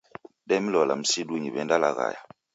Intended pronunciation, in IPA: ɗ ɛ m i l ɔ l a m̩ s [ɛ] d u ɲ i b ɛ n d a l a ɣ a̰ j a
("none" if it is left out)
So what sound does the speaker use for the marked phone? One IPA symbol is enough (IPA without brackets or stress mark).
i